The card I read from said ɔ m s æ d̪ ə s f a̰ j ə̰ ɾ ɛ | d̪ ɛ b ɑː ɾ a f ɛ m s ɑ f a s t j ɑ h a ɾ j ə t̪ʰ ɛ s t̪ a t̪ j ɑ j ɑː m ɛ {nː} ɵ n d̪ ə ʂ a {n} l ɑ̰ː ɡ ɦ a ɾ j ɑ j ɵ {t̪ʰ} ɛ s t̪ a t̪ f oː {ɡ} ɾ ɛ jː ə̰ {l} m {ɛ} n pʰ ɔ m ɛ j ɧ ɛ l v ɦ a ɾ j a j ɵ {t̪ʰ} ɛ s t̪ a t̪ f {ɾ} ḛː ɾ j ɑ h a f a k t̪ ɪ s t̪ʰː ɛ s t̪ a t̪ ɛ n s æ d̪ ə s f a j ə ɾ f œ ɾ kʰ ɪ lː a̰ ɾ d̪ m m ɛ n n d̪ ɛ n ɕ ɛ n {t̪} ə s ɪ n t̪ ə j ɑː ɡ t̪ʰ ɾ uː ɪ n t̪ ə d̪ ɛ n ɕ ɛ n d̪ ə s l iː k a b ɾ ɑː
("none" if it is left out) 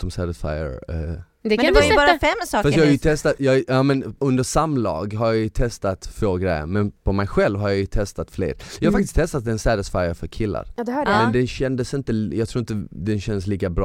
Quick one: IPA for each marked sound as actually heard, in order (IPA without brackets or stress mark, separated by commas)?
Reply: n, m, t̪ʰ, ɡ, ɾ, ɛ, t̪ʰ, l, d̪